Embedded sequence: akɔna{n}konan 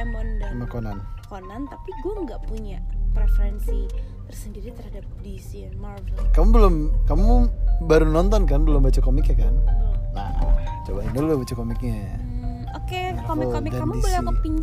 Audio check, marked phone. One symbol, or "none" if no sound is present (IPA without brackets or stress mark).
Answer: n